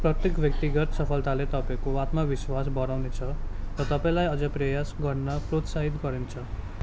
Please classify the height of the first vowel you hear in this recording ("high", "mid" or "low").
mid